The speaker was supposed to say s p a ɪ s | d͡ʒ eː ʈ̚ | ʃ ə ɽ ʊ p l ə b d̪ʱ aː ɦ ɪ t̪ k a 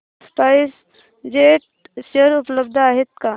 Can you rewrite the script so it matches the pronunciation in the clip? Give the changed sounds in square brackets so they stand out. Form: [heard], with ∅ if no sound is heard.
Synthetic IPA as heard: s p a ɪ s | d͡ʒ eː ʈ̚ | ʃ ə [ɾ] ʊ p l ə b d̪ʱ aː ɦ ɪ t̪ k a